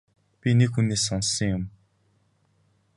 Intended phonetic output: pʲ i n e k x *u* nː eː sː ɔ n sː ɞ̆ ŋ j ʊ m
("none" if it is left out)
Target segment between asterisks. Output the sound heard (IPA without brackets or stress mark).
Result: u